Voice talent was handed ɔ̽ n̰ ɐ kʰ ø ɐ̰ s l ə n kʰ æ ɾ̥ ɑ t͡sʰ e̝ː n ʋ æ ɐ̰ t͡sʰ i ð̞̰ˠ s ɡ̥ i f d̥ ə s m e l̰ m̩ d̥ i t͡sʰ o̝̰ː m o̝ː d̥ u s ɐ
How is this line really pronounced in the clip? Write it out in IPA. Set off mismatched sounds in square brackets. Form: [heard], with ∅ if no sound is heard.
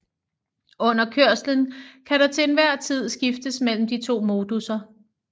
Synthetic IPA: ɔ̽ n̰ ɐ kʰ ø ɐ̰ s l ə n kʰ æ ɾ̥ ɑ t͡sʰ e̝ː n ʋ æ ɐ̰ t͡sʰ i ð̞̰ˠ s ɡ̥ i f d̥ ə s m e l̰ m̩ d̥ i t͡sʰ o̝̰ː m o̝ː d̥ u s ɐ